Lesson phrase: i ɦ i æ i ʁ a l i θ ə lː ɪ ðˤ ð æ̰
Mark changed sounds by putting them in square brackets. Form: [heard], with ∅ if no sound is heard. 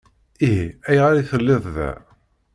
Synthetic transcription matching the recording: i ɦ i æ [j] ʁ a [ɾ] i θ ə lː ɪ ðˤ ð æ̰